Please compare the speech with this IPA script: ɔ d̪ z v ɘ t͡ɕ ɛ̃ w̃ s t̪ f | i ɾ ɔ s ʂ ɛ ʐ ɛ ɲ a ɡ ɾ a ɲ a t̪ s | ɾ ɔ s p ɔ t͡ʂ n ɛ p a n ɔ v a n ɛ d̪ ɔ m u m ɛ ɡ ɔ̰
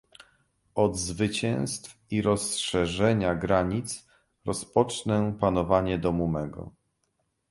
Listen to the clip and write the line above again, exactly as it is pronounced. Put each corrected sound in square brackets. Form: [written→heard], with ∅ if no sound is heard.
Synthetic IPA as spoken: ɔ d̪ z v ɘ t͡ɕ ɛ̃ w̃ s t̪ f | i ɾ ɔ s ʂ ɛ ʐ ɛ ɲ a ɡ ɾ a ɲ [a→i] t̪ s | ɾ ɔ s p ɔ t͡ʂ n ɛ p a n ɔ v a [n→ɲ] ɛ d̪ ɔ m u m ɛ ɡ ɔ̰